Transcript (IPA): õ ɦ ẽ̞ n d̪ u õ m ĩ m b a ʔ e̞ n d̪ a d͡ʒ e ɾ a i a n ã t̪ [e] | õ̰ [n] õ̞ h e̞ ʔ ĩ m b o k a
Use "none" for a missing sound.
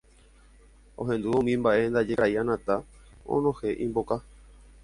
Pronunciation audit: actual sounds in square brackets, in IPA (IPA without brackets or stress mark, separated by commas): a, n